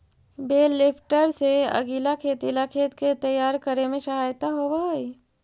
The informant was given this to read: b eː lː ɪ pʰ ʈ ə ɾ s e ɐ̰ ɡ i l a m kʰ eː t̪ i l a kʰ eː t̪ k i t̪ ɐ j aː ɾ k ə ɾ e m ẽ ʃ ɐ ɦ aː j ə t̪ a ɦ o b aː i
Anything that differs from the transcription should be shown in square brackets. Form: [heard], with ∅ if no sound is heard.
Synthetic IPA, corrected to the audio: b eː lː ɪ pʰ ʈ ə ɾ s e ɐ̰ ɡ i l a [∅] kʰ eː t̪ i l a kʰ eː t̪ k [e] t̪ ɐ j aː ɾ k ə ɾ e m ẽ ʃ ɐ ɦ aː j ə t̪ a ɦ o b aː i